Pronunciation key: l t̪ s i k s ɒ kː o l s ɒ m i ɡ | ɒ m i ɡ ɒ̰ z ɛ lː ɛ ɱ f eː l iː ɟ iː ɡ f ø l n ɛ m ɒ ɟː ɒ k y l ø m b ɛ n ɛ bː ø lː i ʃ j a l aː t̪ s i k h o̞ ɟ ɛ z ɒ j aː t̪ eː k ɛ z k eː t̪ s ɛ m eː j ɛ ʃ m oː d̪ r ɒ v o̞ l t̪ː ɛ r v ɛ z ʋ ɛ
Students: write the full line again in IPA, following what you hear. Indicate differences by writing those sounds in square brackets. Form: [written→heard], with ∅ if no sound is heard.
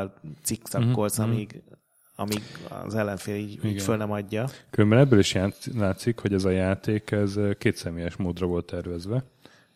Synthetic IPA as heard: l t̪ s i k s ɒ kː o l s ɒ m i ɡ | ɒ m i ɡ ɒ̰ z ɛ lː ɛ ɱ f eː l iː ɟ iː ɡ f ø l n ɛ m ɒ ɟː ɒ k y l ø m b ɛ n ɛ bː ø [lː→l] i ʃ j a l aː t̪ s i k h o̞ ɟ ɛ z ɒ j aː t̪ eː k ɛ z k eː t̪ s ɛ m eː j ɛ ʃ m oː d̪ r ɒ v o̞ l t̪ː ɛ r v ɛ z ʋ ɛ